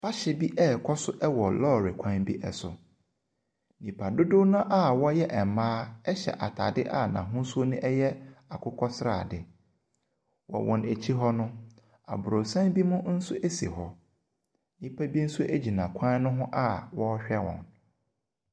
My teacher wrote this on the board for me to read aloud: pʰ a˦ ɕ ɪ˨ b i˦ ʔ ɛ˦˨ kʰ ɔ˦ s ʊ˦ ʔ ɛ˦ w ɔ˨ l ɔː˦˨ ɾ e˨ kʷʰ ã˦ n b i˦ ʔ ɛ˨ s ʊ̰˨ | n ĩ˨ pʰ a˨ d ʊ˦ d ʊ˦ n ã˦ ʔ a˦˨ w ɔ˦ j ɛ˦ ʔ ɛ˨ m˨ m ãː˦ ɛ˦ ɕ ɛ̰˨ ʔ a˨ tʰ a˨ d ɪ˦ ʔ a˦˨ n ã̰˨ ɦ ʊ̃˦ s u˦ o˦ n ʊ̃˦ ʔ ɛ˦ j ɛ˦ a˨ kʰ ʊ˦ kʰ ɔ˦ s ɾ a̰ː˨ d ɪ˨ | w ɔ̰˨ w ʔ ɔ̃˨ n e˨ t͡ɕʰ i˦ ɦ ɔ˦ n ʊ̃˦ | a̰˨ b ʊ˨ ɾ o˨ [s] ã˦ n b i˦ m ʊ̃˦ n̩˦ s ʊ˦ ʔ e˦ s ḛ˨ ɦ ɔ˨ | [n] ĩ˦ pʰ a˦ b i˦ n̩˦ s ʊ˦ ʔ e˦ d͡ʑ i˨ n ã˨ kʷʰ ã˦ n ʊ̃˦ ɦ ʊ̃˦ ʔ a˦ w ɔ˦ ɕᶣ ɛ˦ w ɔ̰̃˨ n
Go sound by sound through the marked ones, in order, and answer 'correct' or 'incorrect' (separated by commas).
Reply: correct, correct